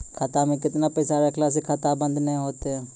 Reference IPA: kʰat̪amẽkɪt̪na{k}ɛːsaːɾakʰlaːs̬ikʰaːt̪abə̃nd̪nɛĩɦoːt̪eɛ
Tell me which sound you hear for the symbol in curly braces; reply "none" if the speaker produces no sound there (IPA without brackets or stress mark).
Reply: p